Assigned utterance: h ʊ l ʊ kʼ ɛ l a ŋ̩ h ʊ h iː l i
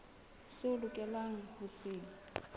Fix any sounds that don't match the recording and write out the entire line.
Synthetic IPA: s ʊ l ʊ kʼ ɛ l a ŋ̩ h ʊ s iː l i